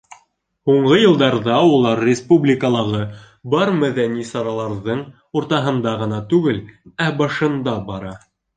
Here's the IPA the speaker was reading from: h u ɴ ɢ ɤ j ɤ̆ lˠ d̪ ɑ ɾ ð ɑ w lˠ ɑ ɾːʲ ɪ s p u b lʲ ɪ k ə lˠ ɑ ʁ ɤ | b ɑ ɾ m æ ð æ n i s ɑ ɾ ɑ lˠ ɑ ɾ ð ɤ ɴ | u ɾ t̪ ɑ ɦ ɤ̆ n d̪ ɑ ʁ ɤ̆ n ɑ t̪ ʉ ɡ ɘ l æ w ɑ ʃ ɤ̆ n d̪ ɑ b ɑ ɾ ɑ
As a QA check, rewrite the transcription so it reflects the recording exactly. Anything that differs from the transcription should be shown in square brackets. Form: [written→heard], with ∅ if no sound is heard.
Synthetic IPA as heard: h u ɴ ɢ ɤ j ɤ̆ lˠ d̪ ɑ ɾ ð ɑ [w→u] lˠ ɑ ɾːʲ ɪ s p u b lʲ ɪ k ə lˠ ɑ ʁ ɤ | b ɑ ɾ m æ ð æ n i s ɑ ɾ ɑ lˠ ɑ ɾ ð ɤ ɴ | u ɾ t̪ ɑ ɦ ɤ̆ n d̪ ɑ ʁ ɤ̆ n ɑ t̪ ʉ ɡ ɘ l æ [w→b] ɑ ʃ ɤ̆ n d̪ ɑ b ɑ ɾ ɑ

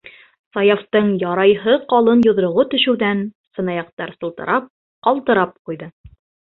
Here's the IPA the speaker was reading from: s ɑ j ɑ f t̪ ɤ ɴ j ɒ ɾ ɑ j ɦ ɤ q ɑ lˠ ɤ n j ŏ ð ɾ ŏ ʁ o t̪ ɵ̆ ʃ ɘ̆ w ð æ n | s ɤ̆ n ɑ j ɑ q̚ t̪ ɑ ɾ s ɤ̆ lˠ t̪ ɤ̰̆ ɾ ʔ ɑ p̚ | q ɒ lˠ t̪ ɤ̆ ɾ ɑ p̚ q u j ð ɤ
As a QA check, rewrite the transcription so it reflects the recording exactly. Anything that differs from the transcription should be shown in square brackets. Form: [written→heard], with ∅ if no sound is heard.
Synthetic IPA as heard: s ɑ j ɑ f t̪ ɤ ɴ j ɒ ɾ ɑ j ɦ ɤ q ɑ lˠ ɤ n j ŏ ð ɾ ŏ ʁ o t̪ ɵ̆ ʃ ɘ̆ w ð æ n | s ɤ̆ n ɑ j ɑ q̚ t̪ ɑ ɾ s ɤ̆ lˠ t̪ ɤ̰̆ ɾ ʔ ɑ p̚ | q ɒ lˠ t̪ ɤ̆ ɾ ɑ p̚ q u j ð ɤ

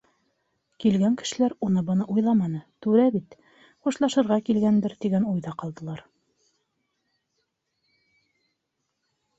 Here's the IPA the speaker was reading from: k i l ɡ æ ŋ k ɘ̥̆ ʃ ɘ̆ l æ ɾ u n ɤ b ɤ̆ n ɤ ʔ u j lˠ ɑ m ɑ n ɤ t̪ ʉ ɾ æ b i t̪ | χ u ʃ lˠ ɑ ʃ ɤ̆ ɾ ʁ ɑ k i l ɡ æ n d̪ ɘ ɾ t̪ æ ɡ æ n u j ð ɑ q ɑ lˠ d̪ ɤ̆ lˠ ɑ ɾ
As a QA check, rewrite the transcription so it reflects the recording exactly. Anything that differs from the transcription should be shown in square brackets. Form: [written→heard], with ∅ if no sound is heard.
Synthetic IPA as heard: k i l ɡ æ ŋ k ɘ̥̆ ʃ ɘ̆ l æ ɾ u n ɤ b ɤ̆ n ɤ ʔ u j lˠ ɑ m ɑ n ɤ t̪ ʉ ɾ æ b i t̪ | χ u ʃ lˠ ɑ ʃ ɤ̆ ɾ ʁ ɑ k i l ɡ æ n d̪ ɘ ɾ t̪ [æ→i] ɡ æ n u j ð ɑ q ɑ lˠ d̪ ɤ̆ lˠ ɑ ɾ

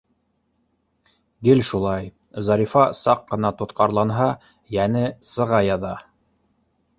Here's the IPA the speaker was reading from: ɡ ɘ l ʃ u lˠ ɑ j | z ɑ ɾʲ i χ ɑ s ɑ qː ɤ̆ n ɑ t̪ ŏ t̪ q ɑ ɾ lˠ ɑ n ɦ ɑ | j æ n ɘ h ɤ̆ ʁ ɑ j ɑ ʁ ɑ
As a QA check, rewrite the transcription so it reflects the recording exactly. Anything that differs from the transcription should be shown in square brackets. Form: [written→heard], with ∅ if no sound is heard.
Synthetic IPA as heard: ɡ ɘ l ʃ u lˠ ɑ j | z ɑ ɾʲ i [χ→f] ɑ s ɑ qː ɤ̆ n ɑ t̪ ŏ t̪ q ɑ ɾ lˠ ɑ n ɦ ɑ | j æ n ɘ [h→s] ɤ̆ ʁ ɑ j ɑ [ʁ→ð] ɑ

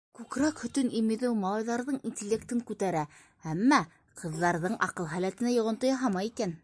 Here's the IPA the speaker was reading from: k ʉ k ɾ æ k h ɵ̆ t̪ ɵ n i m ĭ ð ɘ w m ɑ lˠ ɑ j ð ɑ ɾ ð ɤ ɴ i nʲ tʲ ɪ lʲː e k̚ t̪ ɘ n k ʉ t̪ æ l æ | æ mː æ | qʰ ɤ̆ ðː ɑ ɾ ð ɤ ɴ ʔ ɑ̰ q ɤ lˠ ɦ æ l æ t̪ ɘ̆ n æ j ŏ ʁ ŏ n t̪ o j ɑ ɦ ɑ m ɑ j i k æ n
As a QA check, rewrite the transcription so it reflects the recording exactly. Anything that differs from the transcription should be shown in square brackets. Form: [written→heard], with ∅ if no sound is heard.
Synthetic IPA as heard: k ʉ k ɾ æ k h ɵ̆ t̪ ɵ n i m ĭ ð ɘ w m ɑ lˠ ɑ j ð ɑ ɾ ð ɤ ɴ i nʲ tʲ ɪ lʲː e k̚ t̪ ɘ [n→ŋ] k ʉ t̪ æ [l→ɾ] æ | æ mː æ | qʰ ɤ̆ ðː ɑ ɾ ð ɤ ɴ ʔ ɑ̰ q ɤ lˠ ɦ æ l æ t̪ ɘ̆ n æ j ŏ ʁ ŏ n t̪ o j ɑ ɦ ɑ m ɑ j i k æ n

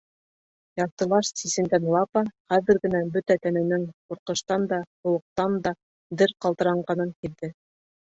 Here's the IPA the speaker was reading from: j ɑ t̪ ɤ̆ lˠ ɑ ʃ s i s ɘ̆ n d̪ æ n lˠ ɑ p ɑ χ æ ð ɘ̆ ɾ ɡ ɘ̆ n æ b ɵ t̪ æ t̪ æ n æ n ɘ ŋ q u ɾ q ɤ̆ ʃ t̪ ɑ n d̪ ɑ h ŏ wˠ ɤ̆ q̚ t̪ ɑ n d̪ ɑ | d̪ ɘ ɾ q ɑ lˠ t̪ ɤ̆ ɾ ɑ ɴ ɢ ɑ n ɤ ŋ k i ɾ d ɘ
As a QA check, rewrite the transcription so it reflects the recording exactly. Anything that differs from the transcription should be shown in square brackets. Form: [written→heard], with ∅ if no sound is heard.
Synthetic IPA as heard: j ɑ t̪ ɤ̆ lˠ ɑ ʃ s i s ɘ̆ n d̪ æ n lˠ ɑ p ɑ χ æ ð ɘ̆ ɾ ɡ ɘ̆ n æ b ɵ t̪ æ t̪ æ n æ n ɘ ŋ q u ɾ q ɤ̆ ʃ t̪ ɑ n d̪ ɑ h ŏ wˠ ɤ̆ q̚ t̪ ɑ n d̪ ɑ | d̪ ɘ ɾ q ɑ lˠ t̪ ɤ̆ ɾ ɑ ɴ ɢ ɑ n ɤ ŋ k i ɾ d ɘ

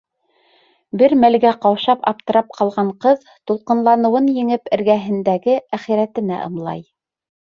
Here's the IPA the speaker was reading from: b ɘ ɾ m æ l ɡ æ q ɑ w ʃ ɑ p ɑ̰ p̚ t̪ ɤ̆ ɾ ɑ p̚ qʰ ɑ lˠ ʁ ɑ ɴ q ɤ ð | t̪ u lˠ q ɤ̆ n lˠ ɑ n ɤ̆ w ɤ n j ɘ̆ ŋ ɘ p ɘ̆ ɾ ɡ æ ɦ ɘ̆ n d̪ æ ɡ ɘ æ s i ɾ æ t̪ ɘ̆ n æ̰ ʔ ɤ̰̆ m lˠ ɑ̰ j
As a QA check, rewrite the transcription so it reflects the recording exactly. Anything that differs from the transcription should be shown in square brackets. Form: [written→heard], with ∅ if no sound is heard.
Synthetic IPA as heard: b ɘ ɾ m æ l ɡ æ q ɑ w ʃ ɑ p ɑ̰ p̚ t̪ ɤ̆ ɾ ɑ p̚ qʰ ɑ lˠ ʁ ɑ ɴ q ɤ ð | t̪ u lˠ q ɤ̆ n lˠ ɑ n ɤ̆ w ɤ n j ɘ̆ ŋ ɘ p ɘ̆ ɾ ɡ æ ɦ ɘ̆ n d̪ æ ɡ ɘ æ [s→χ] i ɾ æ t̪ ɘ̆ n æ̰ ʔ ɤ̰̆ m lˠ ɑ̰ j

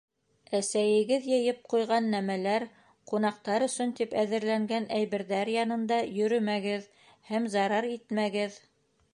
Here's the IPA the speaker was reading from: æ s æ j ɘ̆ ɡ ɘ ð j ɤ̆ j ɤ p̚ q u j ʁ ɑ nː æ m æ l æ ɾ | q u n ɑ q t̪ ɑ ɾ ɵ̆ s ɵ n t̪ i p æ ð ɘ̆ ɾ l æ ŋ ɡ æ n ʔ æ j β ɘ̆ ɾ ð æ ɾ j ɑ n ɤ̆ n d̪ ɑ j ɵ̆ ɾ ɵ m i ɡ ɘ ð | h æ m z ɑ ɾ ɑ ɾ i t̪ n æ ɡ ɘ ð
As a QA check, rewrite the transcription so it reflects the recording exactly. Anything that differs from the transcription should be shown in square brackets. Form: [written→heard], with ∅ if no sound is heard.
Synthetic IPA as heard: æ s æ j ɘ̆ ɡ ɘ ð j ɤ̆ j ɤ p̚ q u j ʁ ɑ nː æ m æ l æ ɾ | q u n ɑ q t̪ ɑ ɾ ɵ̆ s ɵ n t̪ i p æ ð ɘ̆ ɾ l æ ŋ ɡ æ n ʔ æ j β ɘ̆ ɾ ð æ ɾ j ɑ n ɤ̆ n d̪ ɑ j ɵ̆ ɾ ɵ m [i→æ] ɡ ɘ ð | h æ m z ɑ ɾ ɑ ɾ i t̪ [n→m] æ ɡ ɘ ð

